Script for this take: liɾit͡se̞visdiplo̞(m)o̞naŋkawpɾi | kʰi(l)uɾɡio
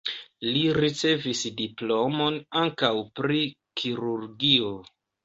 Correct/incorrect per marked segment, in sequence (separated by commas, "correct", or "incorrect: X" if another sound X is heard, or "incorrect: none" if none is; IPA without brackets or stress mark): correct, incorrect: ɾ